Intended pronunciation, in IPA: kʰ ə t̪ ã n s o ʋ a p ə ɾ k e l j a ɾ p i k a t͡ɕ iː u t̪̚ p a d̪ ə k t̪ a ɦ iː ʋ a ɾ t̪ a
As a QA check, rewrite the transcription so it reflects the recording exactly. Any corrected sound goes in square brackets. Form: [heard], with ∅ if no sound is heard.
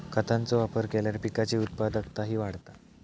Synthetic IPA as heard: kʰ ə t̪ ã n [t͡s] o ʋ a p ə ɾ k e l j a ɾ p i k a t͡ɕ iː u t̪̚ p a d̪ ə k t̪ a ɦ iː ʋ a [ɽ] t̪ a